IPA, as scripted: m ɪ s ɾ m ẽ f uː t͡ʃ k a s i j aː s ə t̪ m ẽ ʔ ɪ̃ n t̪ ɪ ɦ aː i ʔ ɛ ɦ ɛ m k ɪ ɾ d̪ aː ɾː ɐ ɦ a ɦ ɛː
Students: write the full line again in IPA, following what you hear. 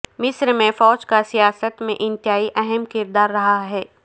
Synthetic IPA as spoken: m ɪ s ɾ m ẽ f ɔː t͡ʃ k a s i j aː s ə t̪ m ẽ ʔ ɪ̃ n t̪ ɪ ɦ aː i ʔ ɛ ɦ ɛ m k ɪ ɾ d̪ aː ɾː ɐ ɦ a ɦ ɛː